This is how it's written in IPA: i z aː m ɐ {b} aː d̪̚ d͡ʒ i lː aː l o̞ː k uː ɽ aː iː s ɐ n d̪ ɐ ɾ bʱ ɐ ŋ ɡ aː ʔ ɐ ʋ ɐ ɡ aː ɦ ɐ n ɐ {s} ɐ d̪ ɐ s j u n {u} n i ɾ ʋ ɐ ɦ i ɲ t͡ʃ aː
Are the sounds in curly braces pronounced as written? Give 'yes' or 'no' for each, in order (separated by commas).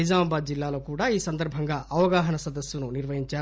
yes, yes, yes